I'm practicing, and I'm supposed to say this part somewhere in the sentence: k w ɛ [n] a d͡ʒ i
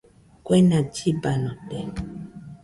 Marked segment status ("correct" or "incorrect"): correct